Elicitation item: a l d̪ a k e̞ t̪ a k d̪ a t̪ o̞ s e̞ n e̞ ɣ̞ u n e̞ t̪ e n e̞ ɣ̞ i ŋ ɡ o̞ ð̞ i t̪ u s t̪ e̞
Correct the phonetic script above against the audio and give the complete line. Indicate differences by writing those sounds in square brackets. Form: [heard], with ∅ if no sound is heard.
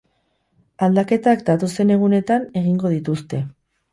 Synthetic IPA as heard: a l d̪ a k e̞ t̪ a k d̪ a t̪ o̞ s e̞ n e̞ ɣ̞ u n e̞ t̪ [a] n e̞ ɣ̞ i ŋ ɡ o̞ ð̞ i t̪ u s t̪ e̞